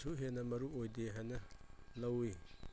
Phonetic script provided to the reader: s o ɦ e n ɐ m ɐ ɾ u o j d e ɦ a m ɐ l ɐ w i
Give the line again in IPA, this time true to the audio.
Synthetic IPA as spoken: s u ɦ e n ɐ m ɐ ɾ u o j d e ɦ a n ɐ l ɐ w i